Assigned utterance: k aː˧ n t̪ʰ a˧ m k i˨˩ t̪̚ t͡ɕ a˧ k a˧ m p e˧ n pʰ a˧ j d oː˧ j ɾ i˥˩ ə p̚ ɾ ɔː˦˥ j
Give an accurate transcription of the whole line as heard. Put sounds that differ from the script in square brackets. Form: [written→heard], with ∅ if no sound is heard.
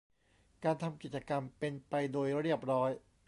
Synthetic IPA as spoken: k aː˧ n t̪ʰ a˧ m k i˨˩ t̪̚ t͡ɕ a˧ k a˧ m p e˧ n [pʰ→p] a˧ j d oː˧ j ɾ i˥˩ ə p̚ ɾ ɔː˦˥ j